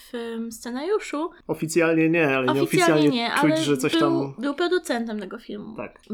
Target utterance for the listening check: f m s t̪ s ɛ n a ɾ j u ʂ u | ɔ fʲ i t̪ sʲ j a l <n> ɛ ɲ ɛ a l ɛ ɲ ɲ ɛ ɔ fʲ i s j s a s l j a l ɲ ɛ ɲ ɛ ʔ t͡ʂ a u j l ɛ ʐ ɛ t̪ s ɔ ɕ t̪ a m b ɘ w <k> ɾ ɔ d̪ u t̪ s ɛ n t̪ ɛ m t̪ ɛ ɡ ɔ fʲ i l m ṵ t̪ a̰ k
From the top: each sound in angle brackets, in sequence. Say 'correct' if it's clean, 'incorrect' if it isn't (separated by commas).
incorrect, incorrect